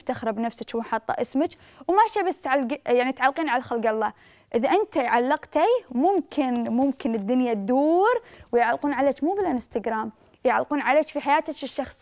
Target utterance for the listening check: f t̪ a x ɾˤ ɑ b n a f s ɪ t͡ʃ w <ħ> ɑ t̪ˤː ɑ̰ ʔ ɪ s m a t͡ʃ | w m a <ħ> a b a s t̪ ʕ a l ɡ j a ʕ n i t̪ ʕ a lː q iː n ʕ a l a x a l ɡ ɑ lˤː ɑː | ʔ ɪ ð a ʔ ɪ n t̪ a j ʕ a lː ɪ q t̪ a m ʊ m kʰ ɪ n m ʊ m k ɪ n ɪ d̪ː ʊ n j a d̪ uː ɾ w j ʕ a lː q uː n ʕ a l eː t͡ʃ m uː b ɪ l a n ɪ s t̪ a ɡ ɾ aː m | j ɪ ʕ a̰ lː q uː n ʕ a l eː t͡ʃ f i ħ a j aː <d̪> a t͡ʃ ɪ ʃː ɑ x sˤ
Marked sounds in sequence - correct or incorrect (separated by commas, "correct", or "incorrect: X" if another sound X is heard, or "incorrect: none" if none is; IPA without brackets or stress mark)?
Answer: correct, incorrect: ʃ, incorrect: t̪